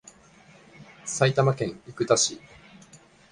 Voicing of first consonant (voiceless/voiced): voiceless